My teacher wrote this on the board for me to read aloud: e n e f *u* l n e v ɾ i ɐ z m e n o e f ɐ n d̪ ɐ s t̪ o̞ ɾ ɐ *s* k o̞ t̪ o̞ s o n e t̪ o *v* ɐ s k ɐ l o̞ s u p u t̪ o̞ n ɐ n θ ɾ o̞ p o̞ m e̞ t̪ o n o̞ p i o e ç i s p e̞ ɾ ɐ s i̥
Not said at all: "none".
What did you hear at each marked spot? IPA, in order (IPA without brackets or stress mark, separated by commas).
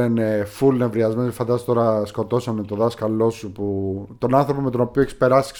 u, s, ð